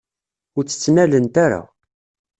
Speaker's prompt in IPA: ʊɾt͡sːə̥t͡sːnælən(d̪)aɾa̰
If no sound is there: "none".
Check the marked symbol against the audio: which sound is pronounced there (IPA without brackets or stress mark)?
t̪